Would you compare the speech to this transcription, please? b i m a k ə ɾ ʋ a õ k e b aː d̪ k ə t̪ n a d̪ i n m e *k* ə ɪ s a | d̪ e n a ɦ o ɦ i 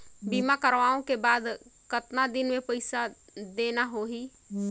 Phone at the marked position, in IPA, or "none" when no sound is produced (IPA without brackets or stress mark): p